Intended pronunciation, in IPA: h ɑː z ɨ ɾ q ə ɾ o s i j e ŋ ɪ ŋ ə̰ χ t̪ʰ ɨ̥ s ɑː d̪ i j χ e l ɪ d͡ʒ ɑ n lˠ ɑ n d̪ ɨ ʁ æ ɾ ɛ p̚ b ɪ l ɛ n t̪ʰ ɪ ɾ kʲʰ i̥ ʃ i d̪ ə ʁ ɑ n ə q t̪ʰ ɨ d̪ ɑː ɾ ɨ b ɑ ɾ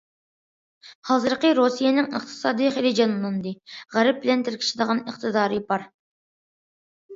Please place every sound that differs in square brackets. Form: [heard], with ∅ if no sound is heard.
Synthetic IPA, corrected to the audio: h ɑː z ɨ ɾ q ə ɾ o s i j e [n] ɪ ŋ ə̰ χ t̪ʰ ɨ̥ s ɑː d̪ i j χ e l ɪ d͡ʒ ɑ n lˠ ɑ n d̪ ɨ ʁ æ ɾ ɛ p̚ b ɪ l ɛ n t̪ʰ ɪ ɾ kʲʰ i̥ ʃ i d̪ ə ʁ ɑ n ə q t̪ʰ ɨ d̪ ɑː ɾ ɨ b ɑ ɾ